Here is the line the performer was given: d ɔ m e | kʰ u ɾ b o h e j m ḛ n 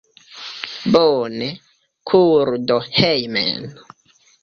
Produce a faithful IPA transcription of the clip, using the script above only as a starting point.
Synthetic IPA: b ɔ n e | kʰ u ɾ d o h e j m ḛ n